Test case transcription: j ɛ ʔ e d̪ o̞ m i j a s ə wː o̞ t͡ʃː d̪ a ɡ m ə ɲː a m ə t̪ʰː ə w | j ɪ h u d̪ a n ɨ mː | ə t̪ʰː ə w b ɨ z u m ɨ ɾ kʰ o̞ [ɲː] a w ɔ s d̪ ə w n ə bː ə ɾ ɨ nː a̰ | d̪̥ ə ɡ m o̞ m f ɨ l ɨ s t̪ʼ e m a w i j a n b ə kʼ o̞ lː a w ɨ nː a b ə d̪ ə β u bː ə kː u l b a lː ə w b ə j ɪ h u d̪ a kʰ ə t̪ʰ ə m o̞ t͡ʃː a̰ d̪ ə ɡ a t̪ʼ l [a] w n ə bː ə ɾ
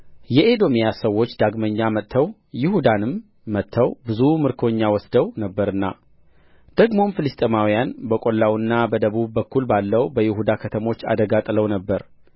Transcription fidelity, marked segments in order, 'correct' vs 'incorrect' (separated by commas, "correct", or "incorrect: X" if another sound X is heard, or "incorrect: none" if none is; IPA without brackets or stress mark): correct, incorrect: ə